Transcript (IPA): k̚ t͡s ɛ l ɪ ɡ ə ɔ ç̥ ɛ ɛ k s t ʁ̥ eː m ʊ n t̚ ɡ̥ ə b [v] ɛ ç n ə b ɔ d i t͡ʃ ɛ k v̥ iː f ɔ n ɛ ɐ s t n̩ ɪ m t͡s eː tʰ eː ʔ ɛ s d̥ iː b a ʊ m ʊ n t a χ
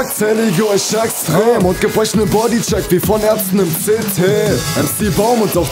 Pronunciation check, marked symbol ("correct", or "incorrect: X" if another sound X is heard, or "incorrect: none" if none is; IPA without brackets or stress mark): incorrect: ʁ